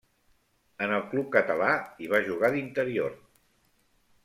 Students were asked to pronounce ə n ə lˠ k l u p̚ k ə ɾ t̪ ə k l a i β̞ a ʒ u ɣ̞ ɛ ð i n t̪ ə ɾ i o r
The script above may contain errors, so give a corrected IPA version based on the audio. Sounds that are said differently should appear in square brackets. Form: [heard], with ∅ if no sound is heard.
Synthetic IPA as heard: ə n ə lˠ k l u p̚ k ə [∅] t̪ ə [∅] l a i β̞ a ʒ u ɣ̞ [a] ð i n t̪ ə ɾ i o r